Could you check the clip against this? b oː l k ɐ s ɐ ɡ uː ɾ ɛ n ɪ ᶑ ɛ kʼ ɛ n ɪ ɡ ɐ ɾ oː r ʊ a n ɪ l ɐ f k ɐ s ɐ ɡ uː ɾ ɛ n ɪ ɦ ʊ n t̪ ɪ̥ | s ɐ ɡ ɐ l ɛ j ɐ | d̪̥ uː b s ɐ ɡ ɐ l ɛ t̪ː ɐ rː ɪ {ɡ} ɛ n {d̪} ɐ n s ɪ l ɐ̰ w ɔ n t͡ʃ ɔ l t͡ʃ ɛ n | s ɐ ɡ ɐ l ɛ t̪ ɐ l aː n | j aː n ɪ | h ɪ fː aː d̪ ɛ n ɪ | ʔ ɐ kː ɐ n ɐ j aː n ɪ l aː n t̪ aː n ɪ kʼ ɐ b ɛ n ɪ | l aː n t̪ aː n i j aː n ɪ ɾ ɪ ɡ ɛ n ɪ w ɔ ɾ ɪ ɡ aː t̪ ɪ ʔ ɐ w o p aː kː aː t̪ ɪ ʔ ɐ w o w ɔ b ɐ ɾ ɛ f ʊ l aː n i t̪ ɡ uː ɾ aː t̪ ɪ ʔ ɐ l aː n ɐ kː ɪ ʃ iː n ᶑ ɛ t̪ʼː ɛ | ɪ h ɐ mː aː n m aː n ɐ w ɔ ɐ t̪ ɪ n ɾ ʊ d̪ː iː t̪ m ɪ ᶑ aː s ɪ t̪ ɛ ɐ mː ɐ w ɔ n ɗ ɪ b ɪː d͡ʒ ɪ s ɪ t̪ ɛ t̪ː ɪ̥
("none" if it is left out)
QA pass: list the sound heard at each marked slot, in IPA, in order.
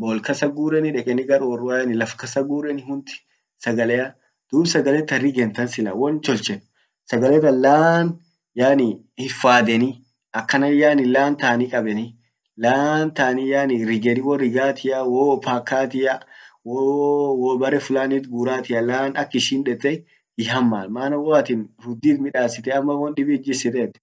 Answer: ɡ, t̪

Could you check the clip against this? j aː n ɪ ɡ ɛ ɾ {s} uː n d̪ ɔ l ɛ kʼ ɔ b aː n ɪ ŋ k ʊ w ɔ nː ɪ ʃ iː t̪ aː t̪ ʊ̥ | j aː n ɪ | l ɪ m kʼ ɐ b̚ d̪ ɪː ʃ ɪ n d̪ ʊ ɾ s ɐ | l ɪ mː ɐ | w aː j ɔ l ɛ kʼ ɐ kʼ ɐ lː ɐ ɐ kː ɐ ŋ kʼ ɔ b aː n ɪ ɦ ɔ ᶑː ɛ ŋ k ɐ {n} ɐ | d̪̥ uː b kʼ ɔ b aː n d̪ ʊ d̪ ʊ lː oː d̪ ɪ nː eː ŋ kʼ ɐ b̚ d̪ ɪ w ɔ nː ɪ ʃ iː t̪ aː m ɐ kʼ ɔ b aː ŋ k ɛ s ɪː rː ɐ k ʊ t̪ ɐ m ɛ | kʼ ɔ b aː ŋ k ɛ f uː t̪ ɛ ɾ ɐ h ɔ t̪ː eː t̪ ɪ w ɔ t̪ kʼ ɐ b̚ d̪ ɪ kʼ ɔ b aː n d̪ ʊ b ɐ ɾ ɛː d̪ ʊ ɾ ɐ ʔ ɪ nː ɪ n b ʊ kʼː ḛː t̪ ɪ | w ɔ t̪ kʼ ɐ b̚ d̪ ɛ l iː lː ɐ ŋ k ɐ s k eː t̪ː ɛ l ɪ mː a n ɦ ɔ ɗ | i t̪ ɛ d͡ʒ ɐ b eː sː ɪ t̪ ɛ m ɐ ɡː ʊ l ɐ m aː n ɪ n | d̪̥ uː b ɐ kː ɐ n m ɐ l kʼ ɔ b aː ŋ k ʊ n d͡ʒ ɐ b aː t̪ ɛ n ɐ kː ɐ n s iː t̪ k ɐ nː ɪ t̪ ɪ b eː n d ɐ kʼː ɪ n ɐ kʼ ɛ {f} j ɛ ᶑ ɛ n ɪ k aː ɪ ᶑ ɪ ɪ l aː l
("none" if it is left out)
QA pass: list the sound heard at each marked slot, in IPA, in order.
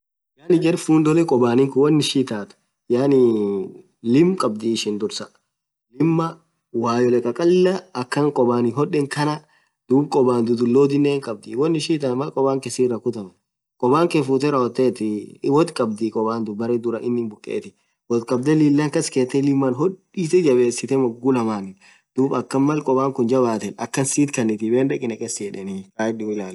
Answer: f, n, s

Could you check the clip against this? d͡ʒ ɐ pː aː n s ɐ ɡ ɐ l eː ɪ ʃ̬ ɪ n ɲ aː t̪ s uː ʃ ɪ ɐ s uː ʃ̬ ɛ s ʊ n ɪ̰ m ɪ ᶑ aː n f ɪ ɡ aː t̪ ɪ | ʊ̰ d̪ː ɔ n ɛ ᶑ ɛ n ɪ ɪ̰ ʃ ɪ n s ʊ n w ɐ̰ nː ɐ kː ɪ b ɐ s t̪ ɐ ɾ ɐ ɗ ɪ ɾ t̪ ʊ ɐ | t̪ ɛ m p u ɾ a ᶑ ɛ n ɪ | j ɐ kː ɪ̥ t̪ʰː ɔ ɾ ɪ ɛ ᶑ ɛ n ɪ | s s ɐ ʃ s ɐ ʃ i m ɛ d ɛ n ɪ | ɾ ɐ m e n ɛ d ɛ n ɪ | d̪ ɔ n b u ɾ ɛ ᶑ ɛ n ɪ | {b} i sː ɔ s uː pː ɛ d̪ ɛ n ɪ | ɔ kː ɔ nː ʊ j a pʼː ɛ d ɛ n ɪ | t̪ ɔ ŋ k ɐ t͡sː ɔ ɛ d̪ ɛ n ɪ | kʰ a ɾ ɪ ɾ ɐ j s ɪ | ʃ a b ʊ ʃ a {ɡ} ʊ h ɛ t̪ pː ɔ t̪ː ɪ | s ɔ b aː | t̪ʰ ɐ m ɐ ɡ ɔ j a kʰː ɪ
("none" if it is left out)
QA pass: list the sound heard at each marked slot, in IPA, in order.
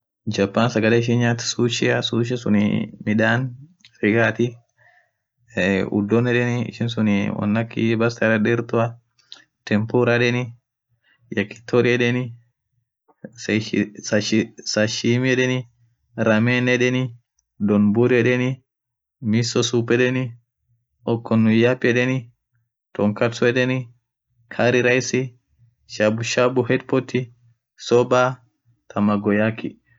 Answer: m, b

